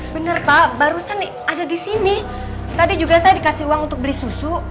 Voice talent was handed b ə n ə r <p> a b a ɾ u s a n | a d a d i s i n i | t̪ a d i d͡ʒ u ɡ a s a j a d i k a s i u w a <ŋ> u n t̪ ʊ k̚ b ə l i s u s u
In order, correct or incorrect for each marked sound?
correct, correct

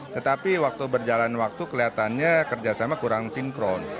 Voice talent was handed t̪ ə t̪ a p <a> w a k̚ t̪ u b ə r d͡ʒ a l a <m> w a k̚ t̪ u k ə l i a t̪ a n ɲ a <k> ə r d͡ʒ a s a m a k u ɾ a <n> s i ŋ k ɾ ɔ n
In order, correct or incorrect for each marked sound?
incorrect: i, incorrect: n, correct, incorrect: ŋ

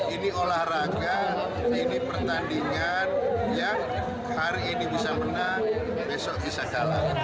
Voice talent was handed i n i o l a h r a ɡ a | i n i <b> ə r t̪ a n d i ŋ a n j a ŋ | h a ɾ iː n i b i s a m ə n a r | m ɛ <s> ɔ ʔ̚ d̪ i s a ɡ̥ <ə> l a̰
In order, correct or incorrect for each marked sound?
incorrect: p, correct, incorrect: a

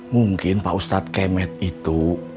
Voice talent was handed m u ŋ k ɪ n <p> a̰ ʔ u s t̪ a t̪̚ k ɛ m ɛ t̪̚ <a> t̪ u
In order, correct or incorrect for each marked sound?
correct, incorrect: i

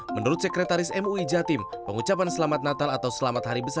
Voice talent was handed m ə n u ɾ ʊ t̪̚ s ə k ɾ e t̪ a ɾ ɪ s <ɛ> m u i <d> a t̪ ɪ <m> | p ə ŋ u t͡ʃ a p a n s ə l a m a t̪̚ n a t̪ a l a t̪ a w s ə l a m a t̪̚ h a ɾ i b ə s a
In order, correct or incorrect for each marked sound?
correct, incorrect: d͡ʒ, correct

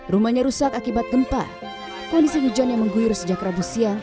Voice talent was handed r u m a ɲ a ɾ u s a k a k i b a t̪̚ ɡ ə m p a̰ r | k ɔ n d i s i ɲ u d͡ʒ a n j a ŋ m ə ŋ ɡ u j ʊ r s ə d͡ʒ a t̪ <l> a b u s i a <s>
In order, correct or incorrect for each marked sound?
incorrect: ɾ, incorrect: none

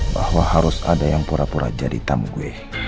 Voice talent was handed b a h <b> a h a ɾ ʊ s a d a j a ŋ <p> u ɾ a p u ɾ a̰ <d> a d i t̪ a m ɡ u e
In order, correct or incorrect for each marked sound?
incorrect: w, correct, incorrect: d͡ʒ

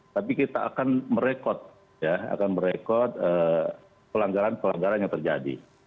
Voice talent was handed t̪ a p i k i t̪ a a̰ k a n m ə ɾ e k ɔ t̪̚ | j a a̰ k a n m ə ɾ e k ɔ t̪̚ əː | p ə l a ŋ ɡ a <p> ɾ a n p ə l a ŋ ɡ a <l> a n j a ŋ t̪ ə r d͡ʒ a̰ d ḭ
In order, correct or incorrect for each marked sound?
incorrect: none, incorrect: ɾ

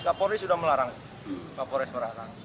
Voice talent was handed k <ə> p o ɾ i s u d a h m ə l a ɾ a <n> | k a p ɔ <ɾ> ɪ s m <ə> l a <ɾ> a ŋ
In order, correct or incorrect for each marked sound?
incorrect: a, incorrect: ŋ, correct, correct, correct

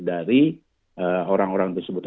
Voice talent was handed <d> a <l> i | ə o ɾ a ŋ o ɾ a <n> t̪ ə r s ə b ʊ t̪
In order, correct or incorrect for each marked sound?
correct, incorrect: ɾ, incorrect: ŋ

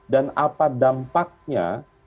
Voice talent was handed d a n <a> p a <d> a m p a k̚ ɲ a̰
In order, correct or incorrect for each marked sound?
correct, correct

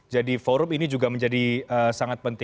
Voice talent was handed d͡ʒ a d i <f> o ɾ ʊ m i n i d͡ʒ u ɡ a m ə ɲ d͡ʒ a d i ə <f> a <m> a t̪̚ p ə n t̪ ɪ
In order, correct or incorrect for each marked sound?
correct, incorrect: s, incorrect: ŋ

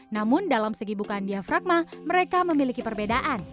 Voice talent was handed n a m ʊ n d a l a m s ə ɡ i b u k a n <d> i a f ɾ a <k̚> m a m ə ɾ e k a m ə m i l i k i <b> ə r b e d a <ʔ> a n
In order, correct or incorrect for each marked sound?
correct, correct, incorrect: p, correct

